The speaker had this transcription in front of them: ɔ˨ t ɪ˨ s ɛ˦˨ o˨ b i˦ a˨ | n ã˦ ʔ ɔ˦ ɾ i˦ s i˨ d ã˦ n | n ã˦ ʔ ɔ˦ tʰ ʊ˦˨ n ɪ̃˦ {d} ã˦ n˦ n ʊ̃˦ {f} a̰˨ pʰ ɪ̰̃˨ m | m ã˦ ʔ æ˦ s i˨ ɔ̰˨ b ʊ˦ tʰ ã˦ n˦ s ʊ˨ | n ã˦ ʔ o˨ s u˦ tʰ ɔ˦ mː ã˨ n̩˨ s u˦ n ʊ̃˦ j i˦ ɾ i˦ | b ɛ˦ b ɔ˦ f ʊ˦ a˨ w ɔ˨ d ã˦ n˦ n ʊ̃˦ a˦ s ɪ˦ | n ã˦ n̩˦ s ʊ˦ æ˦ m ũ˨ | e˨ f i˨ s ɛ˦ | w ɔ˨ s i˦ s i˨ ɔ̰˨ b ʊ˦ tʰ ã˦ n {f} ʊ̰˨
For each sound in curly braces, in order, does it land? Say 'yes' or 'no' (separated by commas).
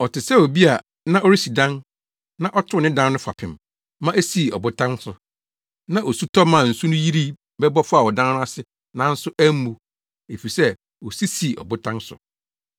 yes, yes, no